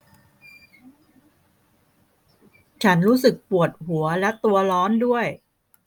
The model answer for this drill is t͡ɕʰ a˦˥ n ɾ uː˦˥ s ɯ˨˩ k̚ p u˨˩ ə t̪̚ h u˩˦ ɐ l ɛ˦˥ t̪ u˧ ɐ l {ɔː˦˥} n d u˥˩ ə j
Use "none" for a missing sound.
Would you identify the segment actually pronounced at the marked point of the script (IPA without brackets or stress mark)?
ɔː˦˥